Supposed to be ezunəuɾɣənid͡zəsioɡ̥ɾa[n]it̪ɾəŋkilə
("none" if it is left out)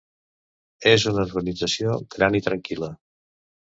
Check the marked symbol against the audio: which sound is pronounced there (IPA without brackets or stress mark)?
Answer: n